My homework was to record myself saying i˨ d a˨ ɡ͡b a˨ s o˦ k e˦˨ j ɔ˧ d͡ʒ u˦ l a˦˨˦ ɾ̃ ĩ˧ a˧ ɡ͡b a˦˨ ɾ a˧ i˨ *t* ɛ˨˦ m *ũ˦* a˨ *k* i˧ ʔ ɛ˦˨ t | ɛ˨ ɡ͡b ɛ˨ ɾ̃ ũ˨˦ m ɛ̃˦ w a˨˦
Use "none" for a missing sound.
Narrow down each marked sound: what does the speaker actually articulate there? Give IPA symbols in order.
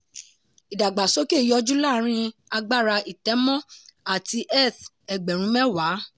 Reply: t, ɔ̃˦, t

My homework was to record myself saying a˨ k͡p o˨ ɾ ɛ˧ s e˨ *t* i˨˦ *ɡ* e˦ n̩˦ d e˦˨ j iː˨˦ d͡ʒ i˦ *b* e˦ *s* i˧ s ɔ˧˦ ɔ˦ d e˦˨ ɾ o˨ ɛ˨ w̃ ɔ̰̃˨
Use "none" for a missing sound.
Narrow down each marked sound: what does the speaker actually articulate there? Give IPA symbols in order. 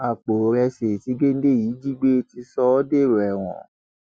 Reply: t, ɡ, ɡ͡b, t

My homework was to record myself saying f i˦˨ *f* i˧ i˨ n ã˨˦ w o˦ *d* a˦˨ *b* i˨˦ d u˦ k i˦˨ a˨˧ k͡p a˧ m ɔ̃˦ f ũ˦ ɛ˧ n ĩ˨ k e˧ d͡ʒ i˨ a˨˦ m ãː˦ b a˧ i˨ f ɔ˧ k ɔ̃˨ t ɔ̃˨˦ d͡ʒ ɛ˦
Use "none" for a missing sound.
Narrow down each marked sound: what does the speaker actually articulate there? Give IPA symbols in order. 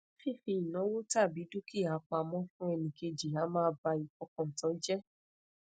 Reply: f, t, b

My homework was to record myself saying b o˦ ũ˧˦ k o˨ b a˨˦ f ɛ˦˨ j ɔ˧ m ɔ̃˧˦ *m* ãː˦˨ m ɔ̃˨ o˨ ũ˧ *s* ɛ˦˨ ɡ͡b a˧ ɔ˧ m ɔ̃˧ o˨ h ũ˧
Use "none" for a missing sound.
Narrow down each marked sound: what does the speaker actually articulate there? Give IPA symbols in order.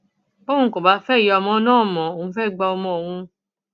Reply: n, f

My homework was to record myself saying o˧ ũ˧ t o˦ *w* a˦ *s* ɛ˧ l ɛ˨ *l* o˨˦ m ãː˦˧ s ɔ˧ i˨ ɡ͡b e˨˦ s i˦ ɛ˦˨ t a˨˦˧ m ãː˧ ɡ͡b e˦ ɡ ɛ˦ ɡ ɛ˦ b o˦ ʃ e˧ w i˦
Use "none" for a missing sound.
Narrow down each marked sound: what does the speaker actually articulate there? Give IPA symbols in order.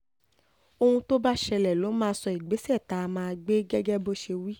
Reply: b, ʃ, l

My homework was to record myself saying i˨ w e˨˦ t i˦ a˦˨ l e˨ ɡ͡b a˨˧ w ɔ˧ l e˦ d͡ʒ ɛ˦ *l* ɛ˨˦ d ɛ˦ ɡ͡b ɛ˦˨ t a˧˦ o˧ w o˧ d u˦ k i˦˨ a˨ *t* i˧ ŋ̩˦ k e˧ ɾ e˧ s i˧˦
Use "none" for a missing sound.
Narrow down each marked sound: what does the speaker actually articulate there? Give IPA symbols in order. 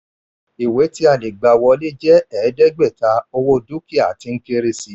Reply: none, t

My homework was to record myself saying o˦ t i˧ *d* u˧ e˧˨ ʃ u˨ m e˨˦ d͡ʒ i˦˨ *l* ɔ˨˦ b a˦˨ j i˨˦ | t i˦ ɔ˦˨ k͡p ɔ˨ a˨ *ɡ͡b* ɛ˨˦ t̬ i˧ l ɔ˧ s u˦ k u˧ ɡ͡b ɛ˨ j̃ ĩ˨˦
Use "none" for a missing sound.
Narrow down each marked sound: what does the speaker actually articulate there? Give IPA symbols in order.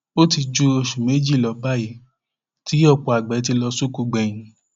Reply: d͡ʒ, l, ɡ͡b

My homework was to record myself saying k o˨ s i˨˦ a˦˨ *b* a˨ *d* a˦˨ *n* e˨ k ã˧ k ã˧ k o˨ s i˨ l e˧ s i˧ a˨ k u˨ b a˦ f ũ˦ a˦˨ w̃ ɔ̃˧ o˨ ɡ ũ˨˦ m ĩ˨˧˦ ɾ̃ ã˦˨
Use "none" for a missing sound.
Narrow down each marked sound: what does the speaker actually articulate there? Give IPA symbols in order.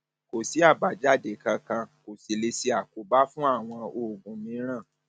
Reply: b, d͡ʒ, d

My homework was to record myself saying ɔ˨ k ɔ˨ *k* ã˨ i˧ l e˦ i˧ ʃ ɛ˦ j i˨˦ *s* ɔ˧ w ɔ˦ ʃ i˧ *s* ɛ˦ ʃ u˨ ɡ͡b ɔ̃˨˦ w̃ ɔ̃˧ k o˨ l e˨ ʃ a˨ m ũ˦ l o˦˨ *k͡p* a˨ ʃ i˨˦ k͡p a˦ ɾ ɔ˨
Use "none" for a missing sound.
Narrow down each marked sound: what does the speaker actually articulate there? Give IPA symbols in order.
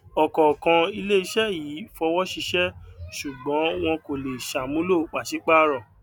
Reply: k, f, ʃ, k͡p

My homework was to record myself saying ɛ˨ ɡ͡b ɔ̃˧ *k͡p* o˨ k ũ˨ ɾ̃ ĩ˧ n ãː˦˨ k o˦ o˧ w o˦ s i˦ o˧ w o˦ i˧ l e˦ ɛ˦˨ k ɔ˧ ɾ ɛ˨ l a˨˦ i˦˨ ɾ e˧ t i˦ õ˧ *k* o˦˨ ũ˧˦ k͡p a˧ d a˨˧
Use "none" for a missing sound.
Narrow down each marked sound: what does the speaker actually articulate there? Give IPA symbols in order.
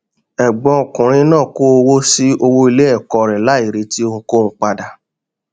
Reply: none, k

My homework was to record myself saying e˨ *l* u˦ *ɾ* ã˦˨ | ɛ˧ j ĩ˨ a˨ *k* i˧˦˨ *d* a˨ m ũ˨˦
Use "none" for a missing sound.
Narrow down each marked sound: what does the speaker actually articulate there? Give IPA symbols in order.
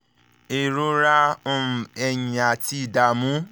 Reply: ɾ, ɾ, t, d

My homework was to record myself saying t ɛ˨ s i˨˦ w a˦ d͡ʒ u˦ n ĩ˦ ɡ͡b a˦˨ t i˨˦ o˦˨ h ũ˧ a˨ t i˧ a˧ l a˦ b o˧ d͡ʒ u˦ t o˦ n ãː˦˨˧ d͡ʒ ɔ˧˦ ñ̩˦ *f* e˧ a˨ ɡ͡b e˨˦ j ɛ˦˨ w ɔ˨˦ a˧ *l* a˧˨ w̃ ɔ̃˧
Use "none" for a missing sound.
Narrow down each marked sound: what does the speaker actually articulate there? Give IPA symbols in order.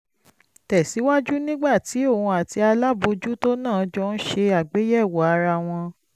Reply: ʃ, ɾ

